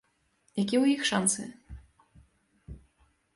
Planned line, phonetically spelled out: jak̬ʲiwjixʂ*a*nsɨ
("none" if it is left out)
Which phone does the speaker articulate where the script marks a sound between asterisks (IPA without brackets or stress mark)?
a